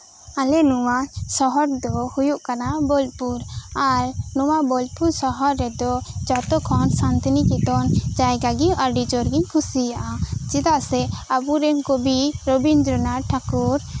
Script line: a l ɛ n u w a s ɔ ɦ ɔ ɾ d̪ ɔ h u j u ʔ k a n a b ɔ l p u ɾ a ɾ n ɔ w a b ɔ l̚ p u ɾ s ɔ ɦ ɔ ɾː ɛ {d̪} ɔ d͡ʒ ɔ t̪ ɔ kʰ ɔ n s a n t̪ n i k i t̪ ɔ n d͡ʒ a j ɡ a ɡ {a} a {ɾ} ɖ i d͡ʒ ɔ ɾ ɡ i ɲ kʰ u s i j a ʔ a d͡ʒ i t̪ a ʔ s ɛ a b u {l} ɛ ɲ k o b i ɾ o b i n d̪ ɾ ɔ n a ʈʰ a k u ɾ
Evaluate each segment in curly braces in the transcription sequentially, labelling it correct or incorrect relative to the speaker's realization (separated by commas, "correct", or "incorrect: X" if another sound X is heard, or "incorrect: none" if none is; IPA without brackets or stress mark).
correct, incorrect: i, correct, incorrect: ɾ